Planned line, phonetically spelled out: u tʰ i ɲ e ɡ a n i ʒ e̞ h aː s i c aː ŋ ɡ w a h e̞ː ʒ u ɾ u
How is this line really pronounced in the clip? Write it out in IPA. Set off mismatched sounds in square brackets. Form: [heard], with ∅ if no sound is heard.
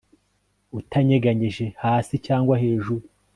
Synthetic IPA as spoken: u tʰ [a] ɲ e ɡ a [ɲ] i ʒ e̞ h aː s i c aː ŋ ɡ w a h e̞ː ʒ u ɾ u